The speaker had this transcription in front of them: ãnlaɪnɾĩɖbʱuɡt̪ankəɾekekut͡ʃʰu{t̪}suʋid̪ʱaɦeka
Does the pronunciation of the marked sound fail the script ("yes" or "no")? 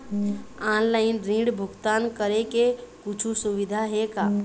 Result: yes